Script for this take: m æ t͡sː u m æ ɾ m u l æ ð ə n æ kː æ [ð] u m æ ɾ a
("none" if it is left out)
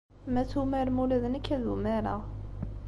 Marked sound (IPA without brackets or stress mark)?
ð